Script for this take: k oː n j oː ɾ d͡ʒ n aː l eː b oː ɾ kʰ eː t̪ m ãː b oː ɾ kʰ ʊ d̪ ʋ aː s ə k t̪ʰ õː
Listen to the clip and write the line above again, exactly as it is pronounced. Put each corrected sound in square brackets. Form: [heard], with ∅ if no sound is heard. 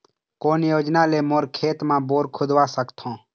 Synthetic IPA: k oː n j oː [∅] d͡ʒ n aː l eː [m] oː ɾ kʰ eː t̪ m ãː b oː ɾ kʰ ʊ d̪ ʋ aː s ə k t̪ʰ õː